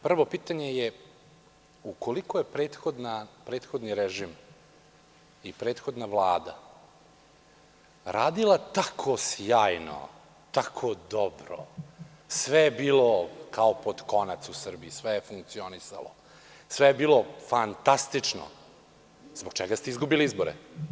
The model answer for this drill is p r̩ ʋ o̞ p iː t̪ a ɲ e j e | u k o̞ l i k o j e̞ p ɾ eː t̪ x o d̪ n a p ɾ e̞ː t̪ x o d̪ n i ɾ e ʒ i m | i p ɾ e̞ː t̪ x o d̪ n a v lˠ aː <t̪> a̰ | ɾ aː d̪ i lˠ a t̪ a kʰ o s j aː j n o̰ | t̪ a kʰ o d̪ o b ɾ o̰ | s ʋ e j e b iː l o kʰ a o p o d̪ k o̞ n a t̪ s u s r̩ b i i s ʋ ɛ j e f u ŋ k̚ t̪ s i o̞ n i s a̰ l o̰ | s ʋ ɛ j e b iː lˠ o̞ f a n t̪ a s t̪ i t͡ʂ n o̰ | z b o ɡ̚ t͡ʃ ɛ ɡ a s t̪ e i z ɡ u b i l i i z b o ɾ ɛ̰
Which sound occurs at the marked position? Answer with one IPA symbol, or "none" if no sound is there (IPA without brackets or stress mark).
d̪